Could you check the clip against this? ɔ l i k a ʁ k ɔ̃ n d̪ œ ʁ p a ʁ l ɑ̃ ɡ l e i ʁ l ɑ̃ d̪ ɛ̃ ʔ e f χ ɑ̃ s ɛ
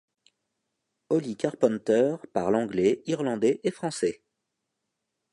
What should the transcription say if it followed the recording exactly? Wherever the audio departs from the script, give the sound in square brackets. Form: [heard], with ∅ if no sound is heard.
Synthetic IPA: ɔ l i k a ʁ [p] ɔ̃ n [t̪] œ ʁ p a ʁ l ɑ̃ ɡ l [ɛ] i ʁ l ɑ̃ d̪ [ɛ] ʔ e f χ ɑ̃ s ɛ